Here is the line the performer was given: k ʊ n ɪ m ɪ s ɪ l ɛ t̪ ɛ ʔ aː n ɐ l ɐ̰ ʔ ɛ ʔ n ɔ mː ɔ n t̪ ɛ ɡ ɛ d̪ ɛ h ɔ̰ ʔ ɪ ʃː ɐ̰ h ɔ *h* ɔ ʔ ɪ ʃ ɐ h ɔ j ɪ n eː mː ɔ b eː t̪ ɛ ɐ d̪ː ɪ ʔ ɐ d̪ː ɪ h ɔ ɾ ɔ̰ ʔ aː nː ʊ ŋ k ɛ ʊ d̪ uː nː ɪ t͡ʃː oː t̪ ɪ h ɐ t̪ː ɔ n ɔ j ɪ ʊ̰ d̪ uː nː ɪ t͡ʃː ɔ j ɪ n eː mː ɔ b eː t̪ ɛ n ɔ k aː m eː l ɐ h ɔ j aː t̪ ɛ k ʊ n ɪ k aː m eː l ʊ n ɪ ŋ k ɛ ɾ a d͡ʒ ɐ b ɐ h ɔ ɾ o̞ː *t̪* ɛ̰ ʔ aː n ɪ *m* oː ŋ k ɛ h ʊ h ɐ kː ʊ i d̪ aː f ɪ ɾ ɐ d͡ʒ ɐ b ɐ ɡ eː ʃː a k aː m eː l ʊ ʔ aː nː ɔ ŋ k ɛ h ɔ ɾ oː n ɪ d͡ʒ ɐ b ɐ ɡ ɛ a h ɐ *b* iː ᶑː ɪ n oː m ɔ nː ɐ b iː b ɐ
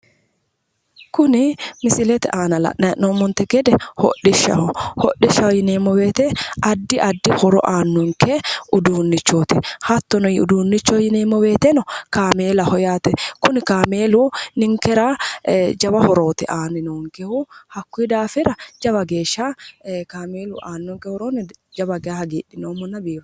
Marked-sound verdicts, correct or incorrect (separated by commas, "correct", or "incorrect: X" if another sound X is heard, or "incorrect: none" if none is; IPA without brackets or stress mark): correct, correct, incorrect: n, incorrect: ɡ